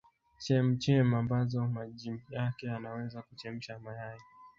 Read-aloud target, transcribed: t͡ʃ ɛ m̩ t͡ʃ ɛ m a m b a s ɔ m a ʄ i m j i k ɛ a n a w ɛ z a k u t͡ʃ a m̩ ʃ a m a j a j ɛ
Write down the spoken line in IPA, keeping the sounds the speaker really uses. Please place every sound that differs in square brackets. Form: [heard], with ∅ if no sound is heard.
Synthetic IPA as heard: t͡ʃ ɛ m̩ t͡ʃ ɛ m a m b a [z] ɔ m a ʄ i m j [a] k ɛ a n a w ɛ z a k u t͡ʃ [ɛ] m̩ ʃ a m a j a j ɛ

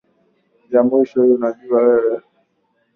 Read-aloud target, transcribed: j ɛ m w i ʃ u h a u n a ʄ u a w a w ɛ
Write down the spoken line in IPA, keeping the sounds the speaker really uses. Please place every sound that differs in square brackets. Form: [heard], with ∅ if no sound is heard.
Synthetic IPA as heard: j [a] m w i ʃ [ɔ] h [i] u n a ʄ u a w [ɛ] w ɛ

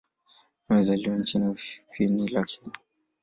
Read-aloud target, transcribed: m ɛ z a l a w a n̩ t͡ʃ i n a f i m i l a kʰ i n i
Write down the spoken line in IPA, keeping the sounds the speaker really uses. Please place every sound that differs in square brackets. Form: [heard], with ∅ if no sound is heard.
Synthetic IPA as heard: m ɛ z a l [i] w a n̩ t͡ʃ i n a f i [n] i l a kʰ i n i

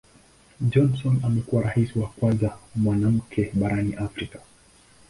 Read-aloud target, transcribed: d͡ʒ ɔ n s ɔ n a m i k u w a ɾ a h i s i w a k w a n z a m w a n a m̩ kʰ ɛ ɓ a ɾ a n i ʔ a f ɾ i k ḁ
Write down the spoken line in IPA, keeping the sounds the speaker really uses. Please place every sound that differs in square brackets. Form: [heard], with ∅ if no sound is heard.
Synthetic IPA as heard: d͡ʒ ɔ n s ɔ n a m [ɛ] k u w a ɾ a h i s i w a k w a n z a m w a n a m̩ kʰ ɛ ɓ a ɾ a n i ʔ a f ɾ i k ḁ

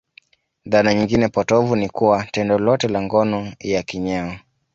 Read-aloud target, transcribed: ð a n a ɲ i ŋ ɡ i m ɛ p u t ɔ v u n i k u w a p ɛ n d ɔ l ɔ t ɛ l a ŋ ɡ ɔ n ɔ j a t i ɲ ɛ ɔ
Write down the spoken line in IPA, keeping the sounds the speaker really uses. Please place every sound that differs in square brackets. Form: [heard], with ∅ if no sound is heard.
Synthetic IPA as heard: ð a n a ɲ i ŋ ɡ i [n] ɛ p [ɔ] t ɔ v u n i k u w a [t] ɛ n d ɔ l ɔ t ɛ l a ŋ ɡ ɔ n ɔ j a [k] i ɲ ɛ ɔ

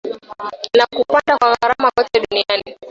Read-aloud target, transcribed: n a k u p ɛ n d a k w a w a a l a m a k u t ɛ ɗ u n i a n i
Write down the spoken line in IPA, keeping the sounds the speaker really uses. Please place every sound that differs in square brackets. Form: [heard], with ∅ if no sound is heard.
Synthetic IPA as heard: n a k u p [a] n d a k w a [ɣ] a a [ɾ] a m a k [ɔ] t ɛ ɗ u n i a n i

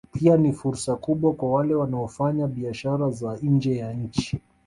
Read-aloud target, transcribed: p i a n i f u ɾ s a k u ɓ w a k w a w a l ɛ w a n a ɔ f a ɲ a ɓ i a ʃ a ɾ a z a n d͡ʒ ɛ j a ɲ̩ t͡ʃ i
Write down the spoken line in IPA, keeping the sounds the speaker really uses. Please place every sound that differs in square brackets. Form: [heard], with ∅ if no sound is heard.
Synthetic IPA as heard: p i a n i f u ɾ s a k u ɓ w a k w a w a l ɛ w a n a ɔ f a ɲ a ɓ i a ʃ a ɾ a z a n d͡ʒ ɛ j a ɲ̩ t͡ʃ i

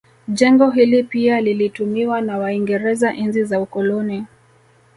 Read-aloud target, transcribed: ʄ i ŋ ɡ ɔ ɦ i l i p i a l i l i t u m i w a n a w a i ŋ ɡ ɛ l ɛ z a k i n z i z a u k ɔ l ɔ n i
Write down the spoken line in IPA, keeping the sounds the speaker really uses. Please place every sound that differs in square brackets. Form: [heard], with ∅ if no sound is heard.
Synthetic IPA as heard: ʄ [ɛ] ŋ ɡ ɔ ɦ i l i p i a l i l i t u m i w a n a w a i ŋ ɡ ɛ [ɾ] ɛ z a [ʔ] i n z i z a u k ɔ l ɔ n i

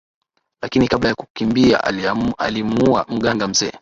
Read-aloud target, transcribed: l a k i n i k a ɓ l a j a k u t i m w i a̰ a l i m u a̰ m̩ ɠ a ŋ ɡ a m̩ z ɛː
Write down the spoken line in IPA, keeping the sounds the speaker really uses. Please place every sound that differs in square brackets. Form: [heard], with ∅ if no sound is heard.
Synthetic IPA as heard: l a k i n i k a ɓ l a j a k u [k] i m [b] i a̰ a l i m u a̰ m̩ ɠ a ŋ ɡ a m̩ z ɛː

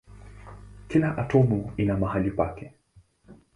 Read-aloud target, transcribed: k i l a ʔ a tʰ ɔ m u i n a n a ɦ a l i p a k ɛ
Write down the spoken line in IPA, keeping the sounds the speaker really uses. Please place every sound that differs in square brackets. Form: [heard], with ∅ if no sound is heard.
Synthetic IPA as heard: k i l a ʔ a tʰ ɔ m u i n a [m] a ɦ a l i p a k ɛ

